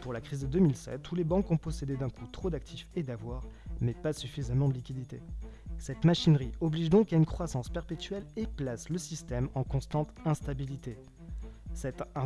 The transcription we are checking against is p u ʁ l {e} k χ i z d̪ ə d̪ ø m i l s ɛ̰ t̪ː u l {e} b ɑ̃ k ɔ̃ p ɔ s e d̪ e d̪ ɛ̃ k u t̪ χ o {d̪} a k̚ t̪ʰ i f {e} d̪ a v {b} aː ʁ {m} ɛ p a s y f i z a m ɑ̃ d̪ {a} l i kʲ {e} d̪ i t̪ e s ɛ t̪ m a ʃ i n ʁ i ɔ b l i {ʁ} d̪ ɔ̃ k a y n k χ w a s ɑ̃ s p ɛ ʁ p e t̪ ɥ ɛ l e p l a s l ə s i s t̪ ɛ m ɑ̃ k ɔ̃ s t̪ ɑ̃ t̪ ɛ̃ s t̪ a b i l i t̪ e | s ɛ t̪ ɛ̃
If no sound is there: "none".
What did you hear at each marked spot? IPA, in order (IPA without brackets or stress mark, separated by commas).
a, e, d̪, e, w, m, ə, i, ʒ